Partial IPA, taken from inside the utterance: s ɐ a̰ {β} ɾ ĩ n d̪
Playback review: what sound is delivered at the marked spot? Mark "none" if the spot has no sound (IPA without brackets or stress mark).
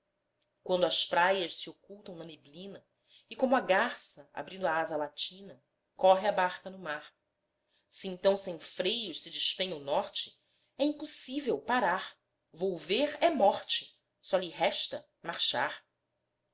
b